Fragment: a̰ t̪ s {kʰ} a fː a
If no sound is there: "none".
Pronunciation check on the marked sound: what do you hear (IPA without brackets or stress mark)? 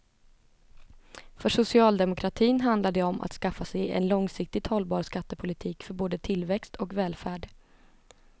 k